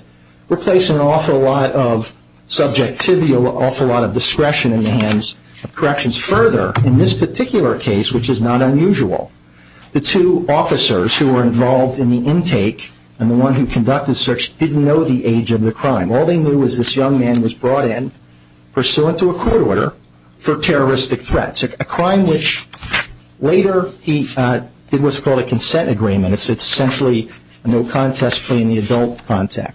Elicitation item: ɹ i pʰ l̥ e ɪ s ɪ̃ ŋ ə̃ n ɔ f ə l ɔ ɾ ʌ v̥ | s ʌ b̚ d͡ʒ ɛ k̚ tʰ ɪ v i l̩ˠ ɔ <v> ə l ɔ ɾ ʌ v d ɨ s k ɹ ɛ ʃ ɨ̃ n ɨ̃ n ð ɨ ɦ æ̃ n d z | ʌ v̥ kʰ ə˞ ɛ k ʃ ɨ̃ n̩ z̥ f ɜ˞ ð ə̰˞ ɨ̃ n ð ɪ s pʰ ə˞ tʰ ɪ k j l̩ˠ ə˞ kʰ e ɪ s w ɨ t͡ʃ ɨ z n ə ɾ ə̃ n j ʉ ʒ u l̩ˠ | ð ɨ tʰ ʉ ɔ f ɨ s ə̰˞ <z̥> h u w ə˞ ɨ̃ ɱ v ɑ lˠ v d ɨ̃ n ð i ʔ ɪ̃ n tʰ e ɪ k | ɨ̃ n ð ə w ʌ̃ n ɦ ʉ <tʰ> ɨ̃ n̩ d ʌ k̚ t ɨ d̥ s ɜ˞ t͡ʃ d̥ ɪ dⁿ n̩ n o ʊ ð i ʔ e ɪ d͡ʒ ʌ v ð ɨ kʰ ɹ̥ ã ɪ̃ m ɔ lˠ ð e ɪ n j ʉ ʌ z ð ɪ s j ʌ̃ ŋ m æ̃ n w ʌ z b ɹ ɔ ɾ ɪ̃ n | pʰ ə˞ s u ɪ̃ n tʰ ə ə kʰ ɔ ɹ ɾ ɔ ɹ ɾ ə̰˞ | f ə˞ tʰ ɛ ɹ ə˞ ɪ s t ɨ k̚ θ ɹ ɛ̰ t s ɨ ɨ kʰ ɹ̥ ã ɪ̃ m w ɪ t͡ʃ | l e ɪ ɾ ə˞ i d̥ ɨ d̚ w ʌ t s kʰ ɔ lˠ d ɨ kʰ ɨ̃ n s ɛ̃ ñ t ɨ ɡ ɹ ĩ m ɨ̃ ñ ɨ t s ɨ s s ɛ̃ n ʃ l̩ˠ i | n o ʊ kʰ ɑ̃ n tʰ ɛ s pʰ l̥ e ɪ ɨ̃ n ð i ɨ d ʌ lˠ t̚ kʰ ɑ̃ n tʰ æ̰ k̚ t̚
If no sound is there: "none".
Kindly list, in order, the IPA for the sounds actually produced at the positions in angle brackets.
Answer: f, z̥, kʰ

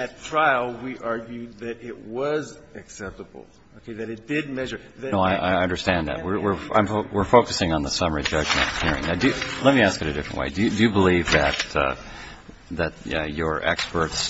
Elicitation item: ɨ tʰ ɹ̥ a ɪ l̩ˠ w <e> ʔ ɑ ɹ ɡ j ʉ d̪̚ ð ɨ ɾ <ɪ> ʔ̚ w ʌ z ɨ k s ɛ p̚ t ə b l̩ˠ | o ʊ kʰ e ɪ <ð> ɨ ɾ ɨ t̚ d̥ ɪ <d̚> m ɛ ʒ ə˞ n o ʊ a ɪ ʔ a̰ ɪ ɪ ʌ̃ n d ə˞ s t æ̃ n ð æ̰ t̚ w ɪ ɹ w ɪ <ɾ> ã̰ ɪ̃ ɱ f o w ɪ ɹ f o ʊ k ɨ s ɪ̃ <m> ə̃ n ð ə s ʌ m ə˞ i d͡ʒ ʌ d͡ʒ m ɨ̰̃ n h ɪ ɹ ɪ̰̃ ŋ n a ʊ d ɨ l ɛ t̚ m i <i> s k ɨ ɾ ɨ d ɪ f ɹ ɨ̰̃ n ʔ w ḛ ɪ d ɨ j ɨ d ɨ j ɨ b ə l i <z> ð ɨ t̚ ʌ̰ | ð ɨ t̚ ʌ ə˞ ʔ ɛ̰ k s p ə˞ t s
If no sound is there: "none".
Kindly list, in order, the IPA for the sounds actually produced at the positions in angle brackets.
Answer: i, ɪ, ð, d̚, ɹ, ŋ, æ, v

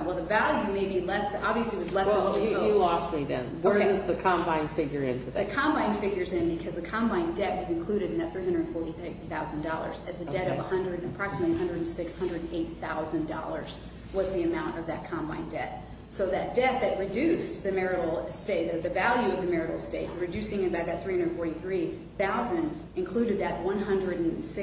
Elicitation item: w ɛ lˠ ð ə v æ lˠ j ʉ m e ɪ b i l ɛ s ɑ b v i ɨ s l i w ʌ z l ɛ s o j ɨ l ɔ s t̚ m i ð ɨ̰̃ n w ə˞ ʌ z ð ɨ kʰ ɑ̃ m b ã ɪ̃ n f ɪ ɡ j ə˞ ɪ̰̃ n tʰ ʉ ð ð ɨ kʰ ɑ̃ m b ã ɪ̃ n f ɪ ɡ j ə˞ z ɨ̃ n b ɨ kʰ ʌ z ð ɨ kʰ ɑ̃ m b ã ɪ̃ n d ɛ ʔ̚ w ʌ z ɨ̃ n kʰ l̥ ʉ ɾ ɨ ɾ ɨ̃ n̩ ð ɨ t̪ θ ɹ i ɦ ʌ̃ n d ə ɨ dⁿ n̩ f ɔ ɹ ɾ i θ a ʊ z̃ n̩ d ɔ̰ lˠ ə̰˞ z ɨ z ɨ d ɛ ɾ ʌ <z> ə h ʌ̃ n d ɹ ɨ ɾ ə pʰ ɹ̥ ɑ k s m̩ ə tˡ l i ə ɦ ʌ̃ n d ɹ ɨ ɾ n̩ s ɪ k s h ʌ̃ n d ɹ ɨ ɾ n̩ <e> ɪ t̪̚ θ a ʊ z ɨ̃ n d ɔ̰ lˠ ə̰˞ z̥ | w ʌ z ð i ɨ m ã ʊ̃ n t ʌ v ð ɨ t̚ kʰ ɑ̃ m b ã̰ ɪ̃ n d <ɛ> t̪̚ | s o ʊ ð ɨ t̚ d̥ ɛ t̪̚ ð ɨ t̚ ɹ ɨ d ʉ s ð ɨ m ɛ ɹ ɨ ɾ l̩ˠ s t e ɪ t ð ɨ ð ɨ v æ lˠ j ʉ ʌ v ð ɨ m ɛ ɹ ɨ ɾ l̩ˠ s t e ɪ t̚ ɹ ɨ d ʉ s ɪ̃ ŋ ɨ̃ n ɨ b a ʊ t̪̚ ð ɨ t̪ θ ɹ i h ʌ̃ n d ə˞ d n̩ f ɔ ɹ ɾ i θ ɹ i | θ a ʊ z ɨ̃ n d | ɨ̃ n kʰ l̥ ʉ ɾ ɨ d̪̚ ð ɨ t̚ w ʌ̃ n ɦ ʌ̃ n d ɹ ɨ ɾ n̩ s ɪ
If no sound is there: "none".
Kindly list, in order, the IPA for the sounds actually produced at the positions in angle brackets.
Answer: v, e, ɛ

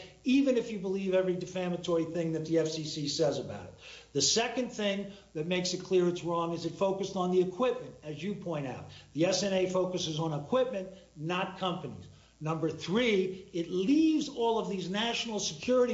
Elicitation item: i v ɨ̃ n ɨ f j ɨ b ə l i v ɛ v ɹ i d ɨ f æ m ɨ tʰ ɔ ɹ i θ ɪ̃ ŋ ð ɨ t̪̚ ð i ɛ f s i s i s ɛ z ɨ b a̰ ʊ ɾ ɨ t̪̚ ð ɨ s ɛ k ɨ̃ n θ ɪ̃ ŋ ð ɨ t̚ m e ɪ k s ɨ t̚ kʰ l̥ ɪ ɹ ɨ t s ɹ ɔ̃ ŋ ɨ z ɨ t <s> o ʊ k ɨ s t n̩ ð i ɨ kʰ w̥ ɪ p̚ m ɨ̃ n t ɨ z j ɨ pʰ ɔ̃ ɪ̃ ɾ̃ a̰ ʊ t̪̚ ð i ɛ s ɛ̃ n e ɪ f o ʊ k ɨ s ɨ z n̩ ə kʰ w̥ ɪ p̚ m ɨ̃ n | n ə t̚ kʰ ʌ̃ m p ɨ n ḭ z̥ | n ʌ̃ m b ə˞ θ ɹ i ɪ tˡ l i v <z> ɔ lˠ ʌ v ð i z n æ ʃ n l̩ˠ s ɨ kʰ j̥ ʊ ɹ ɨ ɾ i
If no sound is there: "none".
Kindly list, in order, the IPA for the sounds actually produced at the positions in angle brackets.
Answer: f, z

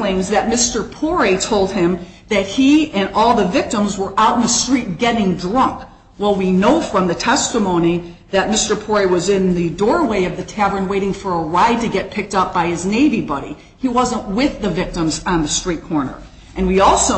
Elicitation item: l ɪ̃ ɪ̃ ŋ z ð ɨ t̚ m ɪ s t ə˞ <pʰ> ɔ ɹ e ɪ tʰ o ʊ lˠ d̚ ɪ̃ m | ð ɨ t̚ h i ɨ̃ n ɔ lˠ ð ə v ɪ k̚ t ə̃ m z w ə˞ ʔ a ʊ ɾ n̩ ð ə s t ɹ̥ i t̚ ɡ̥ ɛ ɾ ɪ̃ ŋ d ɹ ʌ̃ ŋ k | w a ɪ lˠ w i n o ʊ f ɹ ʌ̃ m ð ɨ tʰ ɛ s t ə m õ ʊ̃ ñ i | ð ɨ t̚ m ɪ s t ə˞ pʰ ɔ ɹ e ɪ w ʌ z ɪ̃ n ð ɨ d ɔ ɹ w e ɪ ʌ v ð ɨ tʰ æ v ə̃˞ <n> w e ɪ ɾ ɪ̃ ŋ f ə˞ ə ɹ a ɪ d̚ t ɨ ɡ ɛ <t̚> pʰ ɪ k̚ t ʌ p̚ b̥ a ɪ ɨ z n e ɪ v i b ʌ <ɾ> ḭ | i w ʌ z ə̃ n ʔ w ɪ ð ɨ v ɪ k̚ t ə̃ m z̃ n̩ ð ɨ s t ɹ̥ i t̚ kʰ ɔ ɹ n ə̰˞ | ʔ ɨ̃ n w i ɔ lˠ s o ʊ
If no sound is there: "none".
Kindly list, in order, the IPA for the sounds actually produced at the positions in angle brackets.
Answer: pʰ, n, t̚, ɾ

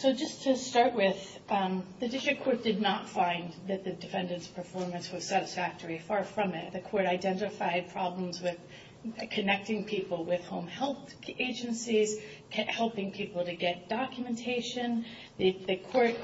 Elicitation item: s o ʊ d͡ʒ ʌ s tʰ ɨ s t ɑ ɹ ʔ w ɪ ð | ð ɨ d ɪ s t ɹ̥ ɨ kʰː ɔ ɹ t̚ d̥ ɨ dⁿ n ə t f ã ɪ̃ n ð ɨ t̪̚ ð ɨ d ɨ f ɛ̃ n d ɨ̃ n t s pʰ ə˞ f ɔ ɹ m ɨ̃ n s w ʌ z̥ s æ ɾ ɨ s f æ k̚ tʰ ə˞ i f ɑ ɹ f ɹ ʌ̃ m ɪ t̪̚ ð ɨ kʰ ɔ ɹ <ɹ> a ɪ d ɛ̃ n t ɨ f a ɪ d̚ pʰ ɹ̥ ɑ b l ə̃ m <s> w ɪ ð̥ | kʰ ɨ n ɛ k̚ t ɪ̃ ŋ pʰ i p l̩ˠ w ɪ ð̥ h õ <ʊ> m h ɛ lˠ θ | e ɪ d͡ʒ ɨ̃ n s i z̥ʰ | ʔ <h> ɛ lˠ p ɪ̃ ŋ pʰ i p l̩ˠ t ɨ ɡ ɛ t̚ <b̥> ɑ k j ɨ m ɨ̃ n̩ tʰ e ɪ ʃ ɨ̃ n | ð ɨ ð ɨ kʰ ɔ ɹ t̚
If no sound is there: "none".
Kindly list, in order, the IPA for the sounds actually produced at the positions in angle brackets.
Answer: ɾ, z, ʊ̃, h, d̥

